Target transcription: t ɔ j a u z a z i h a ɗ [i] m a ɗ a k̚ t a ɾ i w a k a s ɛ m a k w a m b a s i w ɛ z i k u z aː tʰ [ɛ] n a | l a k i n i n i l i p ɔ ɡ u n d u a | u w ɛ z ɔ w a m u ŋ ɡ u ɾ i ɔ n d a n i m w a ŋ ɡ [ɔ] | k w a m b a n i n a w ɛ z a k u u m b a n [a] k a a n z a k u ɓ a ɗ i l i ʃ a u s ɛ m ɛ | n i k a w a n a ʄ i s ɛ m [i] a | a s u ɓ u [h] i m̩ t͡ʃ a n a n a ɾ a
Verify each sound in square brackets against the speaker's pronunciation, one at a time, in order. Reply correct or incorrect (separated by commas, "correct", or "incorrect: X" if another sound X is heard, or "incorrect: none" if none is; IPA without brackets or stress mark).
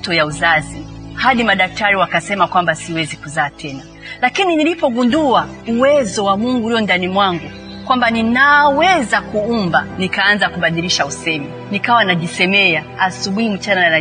correct, correct, incorrect: u, incorrect: i, incorrect: ɛ, correct